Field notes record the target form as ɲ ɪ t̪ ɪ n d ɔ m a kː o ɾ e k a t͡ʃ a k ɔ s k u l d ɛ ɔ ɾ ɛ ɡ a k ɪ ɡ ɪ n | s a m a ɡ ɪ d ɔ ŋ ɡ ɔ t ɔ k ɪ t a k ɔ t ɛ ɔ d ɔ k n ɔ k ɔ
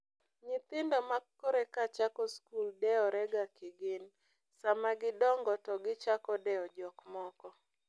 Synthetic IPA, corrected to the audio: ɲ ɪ t̪ ɪ n d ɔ m a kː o ɾ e k a t͡ʃ a k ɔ s k u l d ɛ ɔ ɾ ɛ ɡ a k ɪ ɡ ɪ n | s a m a ɡ ɪ d ɔ ŋ ɡ ɔ t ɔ ɡ ɪ t͡ʃ a k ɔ d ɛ ɔ d͡ʒ ɔ k m ɔ k ɔ